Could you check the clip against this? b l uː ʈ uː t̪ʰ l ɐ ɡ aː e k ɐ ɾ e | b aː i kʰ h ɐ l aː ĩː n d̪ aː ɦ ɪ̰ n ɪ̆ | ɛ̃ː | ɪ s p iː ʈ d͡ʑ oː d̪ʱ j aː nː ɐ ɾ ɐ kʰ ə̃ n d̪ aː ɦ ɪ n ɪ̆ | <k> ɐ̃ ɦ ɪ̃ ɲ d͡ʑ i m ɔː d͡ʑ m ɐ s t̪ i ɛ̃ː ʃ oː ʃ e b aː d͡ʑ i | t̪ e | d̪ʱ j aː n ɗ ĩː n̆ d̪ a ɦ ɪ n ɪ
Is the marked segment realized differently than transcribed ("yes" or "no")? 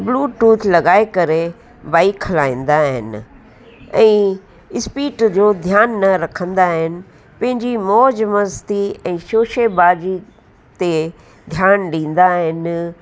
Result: yes